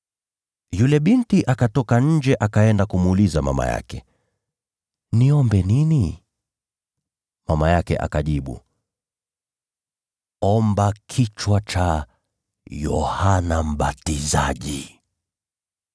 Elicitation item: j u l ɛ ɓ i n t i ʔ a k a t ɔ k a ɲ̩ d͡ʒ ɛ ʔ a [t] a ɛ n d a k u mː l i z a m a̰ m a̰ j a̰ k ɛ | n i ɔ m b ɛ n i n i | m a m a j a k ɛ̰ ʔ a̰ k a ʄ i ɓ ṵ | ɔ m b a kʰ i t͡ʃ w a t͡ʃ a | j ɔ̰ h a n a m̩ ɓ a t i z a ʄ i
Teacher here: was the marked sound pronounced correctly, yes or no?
no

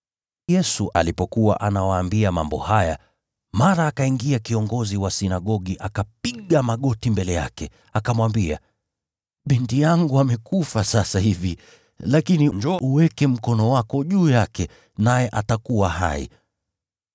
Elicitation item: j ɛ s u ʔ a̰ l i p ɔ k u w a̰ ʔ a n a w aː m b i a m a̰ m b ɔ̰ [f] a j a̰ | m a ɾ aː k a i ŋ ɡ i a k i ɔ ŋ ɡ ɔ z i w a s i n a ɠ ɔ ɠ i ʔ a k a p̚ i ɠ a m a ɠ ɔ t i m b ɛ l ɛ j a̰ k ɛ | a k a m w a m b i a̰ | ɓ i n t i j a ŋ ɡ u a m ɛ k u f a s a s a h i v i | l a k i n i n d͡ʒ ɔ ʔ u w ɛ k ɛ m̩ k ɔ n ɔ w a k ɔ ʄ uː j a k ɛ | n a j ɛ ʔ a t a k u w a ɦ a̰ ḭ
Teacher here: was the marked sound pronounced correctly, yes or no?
no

